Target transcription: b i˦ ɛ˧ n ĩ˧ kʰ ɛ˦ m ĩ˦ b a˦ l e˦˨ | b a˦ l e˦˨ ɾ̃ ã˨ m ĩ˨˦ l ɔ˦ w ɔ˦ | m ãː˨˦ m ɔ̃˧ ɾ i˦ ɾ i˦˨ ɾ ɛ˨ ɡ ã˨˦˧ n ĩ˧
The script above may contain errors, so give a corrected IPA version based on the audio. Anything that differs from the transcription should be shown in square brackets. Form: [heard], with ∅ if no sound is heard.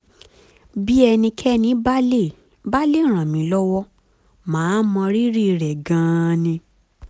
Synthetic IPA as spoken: b i˦ ɛ˧ n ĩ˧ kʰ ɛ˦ [n] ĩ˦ b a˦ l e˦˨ | b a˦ l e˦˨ ɾ̃ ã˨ m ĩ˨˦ l ɔ˦ w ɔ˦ | m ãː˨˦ m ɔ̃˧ ɾ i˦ ɾ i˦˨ ɾ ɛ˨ ɡ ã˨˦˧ n ĩ˧